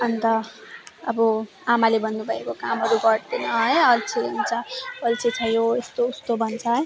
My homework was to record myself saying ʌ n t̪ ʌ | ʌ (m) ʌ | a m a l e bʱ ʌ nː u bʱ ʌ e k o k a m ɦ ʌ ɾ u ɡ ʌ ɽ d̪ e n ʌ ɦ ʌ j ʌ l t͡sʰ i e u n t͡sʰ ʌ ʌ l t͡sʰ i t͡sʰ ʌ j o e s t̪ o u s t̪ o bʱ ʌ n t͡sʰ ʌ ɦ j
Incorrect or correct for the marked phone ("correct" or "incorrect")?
incorrect